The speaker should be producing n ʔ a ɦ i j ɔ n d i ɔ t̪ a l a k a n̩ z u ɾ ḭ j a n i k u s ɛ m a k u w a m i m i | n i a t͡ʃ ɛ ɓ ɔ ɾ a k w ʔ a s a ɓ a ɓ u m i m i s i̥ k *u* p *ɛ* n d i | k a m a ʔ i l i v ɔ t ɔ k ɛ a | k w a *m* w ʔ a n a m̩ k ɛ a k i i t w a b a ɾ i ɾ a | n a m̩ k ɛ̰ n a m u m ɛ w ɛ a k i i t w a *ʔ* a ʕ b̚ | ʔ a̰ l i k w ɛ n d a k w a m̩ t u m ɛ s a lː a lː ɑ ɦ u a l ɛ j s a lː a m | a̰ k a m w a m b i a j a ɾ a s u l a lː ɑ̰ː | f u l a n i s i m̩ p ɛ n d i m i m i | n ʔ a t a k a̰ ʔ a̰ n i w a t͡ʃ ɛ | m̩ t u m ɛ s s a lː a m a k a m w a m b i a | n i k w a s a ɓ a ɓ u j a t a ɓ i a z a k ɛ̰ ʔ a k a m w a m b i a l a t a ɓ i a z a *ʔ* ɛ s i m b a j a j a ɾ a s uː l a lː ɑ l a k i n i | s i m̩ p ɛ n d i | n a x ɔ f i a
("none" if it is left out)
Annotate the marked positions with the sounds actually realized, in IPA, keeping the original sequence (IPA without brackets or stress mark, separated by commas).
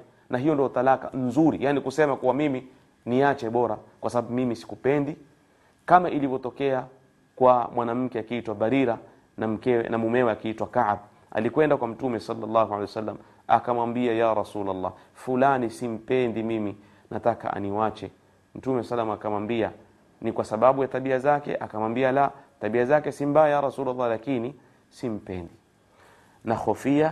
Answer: u, ɛ, m, k, k